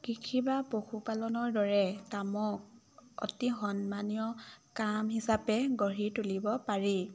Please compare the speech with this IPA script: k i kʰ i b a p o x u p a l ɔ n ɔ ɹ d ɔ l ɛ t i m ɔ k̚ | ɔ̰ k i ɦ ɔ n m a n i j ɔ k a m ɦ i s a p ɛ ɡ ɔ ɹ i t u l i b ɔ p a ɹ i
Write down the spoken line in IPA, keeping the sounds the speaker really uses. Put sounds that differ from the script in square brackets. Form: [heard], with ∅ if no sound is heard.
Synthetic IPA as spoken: k i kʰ i b a p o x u p a l ɔ n ɔ ɹ d ɔ [ɹ] ɛ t [a] m ɔ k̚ | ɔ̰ [t] i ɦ ɔ n m a n i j ɔ k a m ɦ i s a p ɛ ɡ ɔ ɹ i t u l i b ɔ p a ɹ i